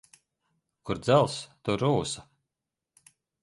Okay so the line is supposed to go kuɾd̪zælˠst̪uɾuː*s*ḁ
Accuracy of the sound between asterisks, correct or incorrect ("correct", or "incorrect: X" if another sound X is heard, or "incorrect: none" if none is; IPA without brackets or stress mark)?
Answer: correct